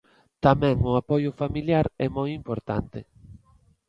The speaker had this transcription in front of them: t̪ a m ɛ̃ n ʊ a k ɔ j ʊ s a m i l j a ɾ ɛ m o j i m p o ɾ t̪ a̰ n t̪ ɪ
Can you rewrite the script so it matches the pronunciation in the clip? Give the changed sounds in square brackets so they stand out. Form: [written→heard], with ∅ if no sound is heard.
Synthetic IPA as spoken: t̪ a m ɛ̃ [n→ŋ] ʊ a [k→p] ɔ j ʊ [s→f] a m i l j a ɾ ɛ m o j i m p o ɾ t̪ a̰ n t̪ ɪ